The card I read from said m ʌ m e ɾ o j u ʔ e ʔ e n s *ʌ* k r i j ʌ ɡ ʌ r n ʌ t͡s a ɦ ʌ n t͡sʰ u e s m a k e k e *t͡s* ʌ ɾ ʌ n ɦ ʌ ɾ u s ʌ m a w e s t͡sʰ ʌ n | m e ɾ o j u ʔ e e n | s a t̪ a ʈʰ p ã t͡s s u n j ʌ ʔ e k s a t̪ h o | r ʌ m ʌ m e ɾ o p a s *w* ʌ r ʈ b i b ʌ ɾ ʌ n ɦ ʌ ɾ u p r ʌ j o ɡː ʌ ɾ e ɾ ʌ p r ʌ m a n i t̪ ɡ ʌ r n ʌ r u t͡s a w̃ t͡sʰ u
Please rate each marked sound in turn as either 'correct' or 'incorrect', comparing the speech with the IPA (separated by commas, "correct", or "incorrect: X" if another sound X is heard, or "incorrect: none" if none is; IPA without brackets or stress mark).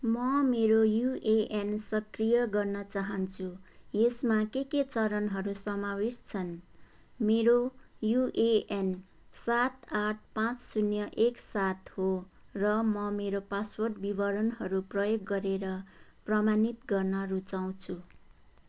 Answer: correct, correct, correct